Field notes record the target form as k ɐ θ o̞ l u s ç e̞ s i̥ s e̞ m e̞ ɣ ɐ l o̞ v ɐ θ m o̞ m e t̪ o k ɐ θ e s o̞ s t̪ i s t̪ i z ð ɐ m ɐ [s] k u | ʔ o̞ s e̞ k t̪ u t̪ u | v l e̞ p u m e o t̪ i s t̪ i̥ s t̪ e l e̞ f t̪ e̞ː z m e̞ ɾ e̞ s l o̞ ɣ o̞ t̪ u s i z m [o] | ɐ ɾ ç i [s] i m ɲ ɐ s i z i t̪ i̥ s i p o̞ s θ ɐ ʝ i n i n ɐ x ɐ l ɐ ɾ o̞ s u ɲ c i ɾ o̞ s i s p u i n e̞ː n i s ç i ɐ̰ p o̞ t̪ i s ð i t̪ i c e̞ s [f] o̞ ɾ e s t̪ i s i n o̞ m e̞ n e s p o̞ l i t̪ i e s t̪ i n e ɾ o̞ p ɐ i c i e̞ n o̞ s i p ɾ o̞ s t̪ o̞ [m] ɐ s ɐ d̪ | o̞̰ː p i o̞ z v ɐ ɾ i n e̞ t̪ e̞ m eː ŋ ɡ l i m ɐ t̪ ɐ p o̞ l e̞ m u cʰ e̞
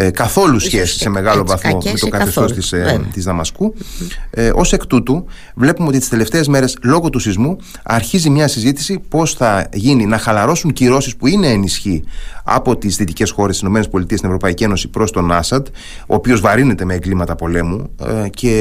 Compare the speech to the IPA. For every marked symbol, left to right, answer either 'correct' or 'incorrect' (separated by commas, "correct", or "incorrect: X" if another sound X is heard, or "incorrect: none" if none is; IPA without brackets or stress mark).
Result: correct, incorrect: u, incorrect: z, incorrect: x, incorrect: n